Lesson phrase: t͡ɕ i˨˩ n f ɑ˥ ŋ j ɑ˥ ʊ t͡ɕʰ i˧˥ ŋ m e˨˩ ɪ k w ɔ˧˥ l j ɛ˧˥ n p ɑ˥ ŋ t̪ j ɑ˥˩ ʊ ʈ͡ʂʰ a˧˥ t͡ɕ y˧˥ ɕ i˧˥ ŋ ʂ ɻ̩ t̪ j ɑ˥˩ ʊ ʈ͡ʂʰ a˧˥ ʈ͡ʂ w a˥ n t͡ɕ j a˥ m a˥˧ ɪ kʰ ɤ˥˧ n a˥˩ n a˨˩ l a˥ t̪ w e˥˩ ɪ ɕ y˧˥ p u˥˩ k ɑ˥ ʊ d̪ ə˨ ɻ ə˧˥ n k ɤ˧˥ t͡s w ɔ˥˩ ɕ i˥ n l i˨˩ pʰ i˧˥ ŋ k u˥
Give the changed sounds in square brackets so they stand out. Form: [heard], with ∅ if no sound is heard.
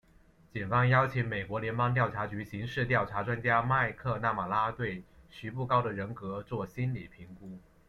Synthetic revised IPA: t͡ɕ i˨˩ n f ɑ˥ ŋ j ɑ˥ ʊ t͡ɕʰ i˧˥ ŋ m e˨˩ ɪ k w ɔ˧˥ l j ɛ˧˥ n p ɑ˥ ŋ t̪ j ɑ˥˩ ʊ ʈ͡ʂʰ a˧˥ t͡ɕ y˧˥ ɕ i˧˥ ŋ ʂ ɻ̩ t̪ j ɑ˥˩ ʊ ʈ͡ʂʰ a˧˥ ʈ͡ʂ w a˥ n t͡ɕ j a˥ m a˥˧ ɪ kʰ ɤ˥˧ n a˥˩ [m] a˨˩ l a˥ t̪ w e˥˩ ɪ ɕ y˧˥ p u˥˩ k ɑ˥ ʊ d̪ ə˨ ɻ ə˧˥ n k ɤ˧˥ t͡s w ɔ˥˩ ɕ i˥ n l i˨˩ pʰ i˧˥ ŋ k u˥